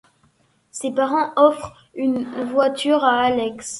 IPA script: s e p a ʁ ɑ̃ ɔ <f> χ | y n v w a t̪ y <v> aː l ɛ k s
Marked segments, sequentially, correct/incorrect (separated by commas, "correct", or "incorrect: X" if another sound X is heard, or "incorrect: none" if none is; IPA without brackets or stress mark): correct, incorrect: ʁ